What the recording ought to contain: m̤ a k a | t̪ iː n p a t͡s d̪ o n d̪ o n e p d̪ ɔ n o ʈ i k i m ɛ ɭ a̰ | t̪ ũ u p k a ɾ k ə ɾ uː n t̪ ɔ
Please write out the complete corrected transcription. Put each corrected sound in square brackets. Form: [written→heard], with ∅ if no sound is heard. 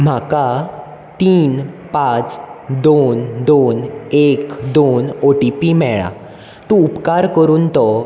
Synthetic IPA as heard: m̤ a k a | t̪ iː n p a t͡s d̪ o n d̪ o n e [p→k] d̪ [ɔ→o] n o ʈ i [k→p] i m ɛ ɭ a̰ | t̪ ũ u p k a ɾ k ə ɾ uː n t̪ ɔ